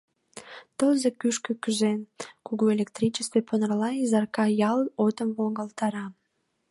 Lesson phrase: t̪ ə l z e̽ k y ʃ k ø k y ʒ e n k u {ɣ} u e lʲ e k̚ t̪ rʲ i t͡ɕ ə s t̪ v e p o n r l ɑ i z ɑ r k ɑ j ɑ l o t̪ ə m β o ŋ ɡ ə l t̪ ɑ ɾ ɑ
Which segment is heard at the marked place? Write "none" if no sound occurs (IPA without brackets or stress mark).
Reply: ɣ